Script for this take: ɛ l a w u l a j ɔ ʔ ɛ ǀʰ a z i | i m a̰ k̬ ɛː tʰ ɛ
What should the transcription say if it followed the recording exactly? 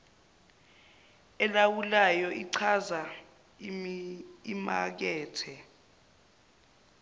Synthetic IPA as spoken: ɛ l a w u l a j ɔ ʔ i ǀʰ a z a | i m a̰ k̬ ɛː tʰ ɛ